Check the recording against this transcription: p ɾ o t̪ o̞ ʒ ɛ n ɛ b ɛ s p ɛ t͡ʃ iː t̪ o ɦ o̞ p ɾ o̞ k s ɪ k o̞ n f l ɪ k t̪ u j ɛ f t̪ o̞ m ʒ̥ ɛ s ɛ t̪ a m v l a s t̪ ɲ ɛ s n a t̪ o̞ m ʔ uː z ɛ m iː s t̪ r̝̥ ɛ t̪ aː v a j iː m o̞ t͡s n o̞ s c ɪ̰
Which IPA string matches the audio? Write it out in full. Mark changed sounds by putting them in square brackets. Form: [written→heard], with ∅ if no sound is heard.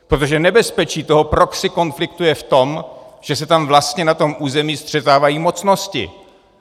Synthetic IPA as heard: p ɾ o t̪ o̞ ʒ ɛ n ɛ b ɛ s p ɛ t͡ʃ iː t̪ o ɦ o̞ p ɾ o̞ k s ɪ k o̞ n f l ɪ k t̪ u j ɛ f t̪ o̞ m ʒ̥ ɛ s ɛ t̪ a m v l a s t̪ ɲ ɛ [s→∅] n a t̪ o̞ m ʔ uː z ɛ m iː s t̪ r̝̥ ɛ t̪ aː v a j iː m o̞ t͡s n o̞ s c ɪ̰